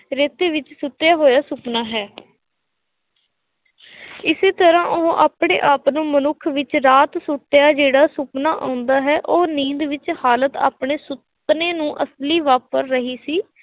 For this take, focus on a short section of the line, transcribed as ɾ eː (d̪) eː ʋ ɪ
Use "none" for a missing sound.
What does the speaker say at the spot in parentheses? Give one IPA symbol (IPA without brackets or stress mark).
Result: t̪